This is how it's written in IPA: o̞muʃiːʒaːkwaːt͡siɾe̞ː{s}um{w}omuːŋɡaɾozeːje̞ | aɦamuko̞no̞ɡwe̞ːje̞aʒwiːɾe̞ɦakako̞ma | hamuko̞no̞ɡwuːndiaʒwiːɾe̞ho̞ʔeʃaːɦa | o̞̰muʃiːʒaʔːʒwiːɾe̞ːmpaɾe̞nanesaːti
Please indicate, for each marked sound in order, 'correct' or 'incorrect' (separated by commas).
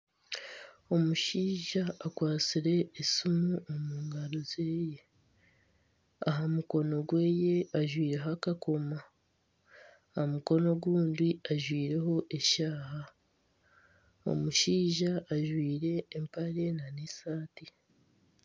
correct, incorrect